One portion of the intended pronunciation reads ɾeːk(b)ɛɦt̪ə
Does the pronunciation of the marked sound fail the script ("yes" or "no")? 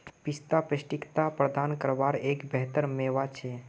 no